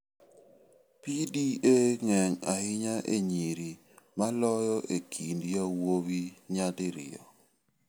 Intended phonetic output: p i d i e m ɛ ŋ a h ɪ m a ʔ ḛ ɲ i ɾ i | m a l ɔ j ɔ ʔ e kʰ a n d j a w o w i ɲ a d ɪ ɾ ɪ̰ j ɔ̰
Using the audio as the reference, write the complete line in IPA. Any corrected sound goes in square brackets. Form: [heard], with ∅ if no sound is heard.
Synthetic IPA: p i d i e [ŋ] ɛ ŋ a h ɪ [ɲ] a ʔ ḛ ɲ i ɾ i | m a l ɔ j ɔ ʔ e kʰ [i] n d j a w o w i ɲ a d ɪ ɾ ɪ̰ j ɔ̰